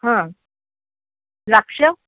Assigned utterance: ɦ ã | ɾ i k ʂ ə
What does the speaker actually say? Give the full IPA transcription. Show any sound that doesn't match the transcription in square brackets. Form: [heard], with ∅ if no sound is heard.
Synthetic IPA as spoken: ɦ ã | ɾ [a] k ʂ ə